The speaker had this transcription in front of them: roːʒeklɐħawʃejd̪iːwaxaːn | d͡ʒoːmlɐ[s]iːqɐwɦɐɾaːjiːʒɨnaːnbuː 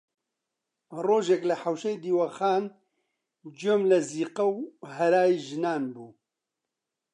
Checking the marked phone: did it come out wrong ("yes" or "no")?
yes